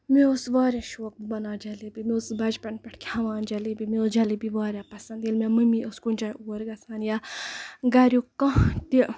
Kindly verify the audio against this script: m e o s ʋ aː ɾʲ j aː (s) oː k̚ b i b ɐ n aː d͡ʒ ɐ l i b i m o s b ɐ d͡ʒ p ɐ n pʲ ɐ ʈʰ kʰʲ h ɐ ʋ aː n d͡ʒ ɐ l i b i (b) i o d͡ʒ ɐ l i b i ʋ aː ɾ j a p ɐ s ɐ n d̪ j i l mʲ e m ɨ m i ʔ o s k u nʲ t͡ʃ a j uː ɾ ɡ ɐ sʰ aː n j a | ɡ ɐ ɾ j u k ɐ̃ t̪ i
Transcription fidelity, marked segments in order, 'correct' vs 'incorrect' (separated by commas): incorrect, incorrect